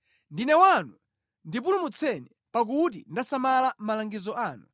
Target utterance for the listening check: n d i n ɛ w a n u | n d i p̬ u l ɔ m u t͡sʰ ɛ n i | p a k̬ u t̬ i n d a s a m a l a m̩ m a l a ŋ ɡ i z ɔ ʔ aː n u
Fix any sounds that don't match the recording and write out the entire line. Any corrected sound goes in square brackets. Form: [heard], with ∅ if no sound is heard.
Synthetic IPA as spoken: n d i n ɛ w a n u | n d i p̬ u l [u] m u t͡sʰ ɛ n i | p a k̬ u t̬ i n d a s a m a l a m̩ m a l a ŋ ɡ i z ɔ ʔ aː n u